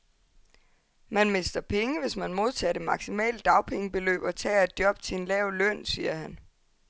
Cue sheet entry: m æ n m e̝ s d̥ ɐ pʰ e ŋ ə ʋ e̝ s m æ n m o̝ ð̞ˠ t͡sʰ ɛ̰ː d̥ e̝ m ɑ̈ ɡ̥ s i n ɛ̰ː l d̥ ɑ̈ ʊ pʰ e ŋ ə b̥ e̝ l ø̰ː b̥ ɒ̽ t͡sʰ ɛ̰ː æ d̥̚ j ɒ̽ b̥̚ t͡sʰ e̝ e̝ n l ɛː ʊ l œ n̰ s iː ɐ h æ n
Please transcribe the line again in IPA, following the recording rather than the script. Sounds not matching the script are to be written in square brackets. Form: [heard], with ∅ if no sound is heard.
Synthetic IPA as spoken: m æ n m e̝ s d̥ ɐ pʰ e ŋ ə ʋ e̝ s m æ n m o̝ ð̞ˠ t͡sʰ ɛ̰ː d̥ e̝ m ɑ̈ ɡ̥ s i [m] ɛ̰ː l d̥ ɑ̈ ʊ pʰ e ŋ ə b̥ e̝ l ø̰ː b̥ ɒ̽ t͡sʰ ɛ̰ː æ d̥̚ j ɒ̽ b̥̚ t͡sʰ e̝ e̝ n l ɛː ʊ l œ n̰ s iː ɐ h æ n